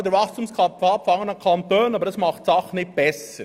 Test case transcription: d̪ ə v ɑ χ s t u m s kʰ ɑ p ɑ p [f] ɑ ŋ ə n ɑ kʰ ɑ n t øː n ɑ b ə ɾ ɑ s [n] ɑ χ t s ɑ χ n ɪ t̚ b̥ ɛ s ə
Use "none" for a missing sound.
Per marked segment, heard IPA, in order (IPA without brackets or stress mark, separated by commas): f, m